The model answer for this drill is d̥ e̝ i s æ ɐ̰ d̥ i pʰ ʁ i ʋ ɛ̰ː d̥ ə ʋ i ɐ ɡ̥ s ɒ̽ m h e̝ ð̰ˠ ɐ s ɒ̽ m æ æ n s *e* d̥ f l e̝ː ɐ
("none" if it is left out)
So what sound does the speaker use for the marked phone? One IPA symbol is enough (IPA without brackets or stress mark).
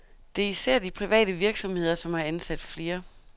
æ